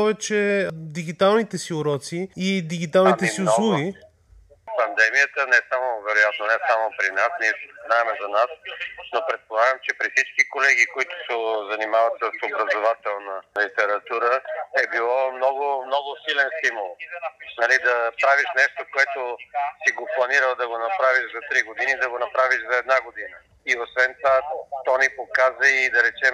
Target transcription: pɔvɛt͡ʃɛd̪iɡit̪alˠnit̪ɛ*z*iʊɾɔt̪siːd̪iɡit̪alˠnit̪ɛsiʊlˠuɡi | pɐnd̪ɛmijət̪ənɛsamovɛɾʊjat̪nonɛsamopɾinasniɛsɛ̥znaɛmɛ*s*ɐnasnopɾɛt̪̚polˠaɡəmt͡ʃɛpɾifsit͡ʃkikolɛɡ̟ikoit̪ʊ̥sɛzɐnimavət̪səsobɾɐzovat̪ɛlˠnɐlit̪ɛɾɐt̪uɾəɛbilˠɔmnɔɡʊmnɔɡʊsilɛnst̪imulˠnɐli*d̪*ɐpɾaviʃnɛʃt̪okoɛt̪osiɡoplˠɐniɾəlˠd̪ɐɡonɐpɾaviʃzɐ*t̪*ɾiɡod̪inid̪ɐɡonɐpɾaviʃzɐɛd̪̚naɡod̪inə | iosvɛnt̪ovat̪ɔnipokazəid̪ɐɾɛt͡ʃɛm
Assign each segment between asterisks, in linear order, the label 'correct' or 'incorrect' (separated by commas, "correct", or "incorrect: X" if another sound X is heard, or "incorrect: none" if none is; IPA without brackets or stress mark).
incorrect: s, incorrect: z, correct, correct